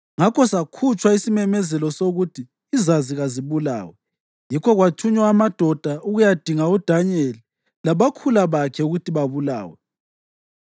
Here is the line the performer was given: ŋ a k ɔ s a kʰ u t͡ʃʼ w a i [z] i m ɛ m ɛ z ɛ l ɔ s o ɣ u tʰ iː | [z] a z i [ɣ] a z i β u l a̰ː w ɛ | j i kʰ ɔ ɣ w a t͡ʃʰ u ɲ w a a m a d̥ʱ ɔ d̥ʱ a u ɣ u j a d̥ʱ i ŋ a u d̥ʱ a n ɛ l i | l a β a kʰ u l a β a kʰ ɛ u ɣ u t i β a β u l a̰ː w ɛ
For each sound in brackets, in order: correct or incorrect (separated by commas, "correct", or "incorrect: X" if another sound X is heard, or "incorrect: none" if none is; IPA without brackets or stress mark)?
incorrect: s, correct, correct